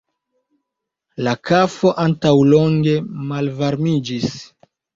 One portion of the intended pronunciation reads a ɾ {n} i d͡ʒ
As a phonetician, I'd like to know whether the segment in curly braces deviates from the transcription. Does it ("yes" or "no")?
yes